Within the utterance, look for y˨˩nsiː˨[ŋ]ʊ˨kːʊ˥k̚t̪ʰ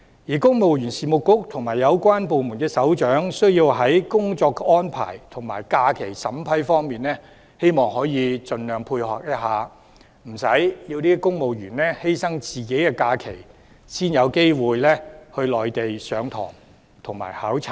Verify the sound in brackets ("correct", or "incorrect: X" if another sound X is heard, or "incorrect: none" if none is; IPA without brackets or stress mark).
incorrect: m